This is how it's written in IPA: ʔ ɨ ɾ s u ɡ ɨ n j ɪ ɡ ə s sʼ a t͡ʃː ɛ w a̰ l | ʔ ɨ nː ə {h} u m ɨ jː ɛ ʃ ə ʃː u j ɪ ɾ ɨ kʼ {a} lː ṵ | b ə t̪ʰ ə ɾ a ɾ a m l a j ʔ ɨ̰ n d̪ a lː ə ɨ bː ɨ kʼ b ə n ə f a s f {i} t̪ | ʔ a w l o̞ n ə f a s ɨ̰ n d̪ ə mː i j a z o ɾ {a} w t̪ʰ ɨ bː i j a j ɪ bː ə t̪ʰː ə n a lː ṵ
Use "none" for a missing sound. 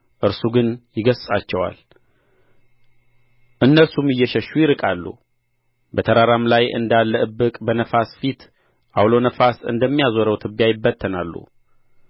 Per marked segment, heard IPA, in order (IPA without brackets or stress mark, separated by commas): s, a, i, ə